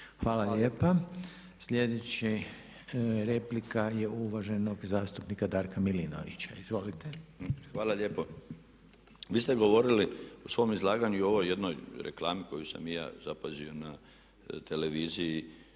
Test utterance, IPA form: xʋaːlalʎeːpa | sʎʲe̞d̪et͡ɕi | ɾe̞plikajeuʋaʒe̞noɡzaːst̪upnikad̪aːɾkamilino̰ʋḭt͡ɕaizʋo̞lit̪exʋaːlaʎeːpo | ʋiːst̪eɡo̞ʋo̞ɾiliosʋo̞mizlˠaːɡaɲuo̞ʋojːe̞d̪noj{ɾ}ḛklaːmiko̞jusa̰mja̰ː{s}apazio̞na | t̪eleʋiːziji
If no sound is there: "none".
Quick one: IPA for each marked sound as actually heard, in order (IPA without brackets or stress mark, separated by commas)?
ɾ, z